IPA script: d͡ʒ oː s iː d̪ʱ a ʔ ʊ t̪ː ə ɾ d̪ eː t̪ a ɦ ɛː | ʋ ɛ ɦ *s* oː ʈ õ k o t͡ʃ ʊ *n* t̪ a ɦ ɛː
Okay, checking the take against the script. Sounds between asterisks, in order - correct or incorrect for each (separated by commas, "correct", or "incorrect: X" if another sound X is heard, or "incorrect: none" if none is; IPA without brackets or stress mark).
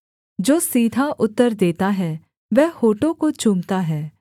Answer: incorrect: h, incorrect: m